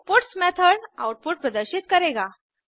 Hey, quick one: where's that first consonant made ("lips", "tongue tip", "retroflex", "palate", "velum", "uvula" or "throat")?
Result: lips